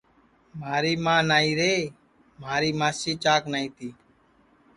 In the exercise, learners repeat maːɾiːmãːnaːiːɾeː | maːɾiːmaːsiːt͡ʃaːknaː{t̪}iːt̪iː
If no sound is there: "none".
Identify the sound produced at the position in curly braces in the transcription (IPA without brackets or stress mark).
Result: none